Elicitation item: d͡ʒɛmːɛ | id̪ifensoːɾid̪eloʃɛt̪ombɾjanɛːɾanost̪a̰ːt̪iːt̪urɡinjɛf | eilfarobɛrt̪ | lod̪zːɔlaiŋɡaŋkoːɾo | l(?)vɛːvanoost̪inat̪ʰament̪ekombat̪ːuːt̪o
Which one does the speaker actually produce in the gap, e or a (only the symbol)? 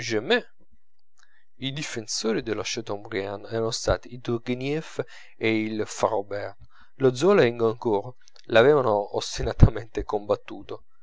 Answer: a